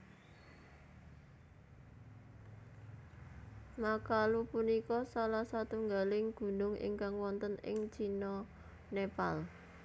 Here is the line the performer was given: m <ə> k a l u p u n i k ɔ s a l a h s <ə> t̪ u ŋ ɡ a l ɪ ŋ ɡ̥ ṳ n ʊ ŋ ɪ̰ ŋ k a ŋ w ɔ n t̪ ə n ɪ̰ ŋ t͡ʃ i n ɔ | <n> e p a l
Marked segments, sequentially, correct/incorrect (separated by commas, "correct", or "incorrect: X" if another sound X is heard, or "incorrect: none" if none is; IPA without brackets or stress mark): incorrect: a, incorrect: a, correct